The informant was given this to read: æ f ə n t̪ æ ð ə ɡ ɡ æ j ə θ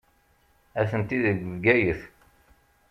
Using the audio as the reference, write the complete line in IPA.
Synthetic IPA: æ θ ə n t̪ i ð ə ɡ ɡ æ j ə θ